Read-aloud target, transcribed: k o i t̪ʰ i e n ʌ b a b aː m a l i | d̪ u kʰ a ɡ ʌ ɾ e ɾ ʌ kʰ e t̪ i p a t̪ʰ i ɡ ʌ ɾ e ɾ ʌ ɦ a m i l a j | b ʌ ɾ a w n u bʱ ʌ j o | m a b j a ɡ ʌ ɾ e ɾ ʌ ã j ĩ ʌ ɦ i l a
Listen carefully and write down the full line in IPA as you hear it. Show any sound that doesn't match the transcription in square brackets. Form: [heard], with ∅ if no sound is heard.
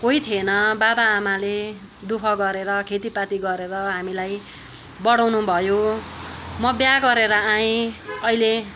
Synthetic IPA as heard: k o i t̪ʰ i e n ʌ b a b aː m a l [e] | d̪ u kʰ [ʌ] ɡ ʌ ɾ e ɾ ʌ kʰ e t̪ i p a [t̪] i ɡ ʌ ɾ e ɾ ʌ ɦ a m i l a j | b ʌ [ɽ] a w n u bʱ ʌ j o | m [ʌ] b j a ɡ ʌ ɾ e ɾ ʌ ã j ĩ ʌ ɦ i l [e]